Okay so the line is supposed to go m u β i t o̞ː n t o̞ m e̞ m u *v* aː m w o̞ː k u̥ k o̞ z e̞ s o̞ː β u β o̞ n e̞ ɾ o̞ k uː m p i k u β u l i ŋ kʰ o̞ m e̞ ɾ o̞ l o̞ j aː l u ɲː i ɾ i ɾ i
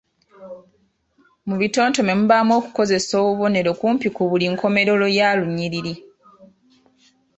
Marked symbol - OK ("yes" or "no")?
no